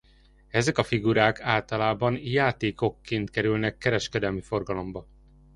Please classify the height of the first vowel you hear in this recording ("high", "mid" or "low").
mid